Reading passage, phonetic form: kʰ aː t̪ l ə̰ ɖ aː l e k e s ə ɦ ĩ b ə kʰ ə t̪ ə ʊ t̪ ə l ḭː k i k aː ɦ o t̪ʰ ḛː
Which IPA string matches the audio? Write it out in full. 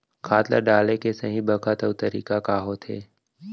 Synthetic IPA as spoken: kʰ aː t̪ l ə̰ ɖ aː l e k e s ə ɦ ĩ b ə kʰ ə t̪ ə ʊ t̪ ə ɾ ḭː k a k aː ɦ o t̪ʰ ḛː